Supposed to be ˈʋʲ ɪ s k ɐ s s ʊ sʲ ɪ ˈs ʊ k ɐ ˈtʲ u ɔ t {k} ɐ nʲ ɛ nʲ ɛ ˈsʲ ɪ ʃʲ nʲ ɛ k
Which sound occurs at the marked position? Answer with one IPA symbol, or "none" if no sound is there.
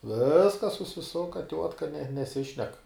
k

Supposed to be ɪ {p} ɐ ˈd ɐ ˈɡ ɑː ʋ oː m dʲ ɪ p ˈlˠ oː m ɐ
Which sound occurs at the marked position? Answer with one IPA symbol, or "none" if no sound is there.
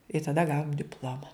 t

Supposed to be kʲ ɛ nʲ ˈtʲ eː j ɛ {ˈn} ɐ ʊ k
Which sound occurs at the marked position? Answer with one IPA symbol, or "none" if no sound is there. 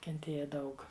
d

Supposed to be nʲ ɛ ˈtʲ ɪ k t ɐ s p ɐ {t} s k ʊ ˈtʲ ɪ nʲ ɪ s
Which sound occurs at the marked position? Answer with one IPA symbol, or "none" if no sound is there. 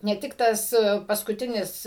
none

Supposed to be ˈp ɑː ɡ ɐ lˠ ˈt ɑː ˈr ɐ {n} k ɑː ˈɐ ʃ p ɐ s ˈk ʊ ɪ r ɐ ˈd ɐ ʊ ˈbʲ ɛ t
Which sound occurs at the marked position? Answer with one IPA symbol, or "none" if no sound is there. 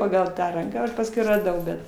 ŋ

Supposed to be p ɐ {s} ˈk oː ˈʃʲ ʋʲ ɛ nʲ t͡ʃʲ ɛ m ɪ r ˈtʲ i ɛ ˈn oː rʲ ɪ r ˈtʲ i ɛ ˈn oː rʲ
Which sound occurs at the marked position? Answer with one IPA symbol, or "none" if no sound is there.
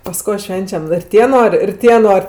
s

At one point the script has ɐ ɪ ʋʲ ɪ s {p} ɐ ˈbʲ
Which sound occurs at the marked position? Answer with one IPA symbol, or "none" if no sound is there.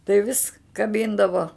k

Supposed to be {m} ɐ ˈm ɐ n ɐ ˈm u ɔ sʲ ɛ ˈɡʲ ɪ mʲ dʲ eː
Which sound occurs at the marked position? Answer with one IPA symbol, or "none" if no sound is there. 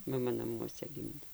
m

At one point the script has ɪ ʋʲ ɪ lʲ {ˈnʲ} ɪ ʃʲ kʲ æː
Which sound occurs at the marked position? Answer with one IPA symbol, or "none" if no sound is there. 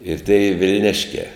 nʲ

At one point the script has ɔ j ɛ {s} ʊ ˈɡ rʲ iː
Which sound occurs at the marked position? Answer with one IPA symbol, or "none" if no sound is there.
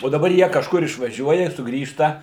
s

